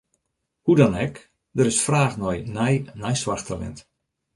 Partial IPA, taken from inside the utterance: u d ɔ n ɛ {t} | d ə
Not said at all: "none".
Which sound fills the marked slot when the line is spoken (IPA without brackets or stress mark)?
k